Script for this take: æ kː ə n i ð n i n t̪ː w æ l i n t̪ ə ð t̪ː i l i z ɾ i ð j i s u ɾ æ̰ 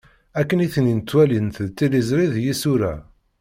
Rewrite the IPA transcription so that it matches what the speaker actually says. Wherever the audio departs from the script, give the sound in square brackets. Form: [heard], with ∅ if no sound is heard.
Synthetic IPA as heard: æ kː ə n i [θ] n i n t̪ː w æ l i n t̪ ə ð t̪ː i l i z ɾ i ð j i s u ɾ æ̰